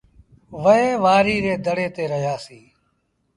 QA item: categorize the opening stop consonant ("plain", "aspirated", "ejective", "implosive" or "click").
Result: plain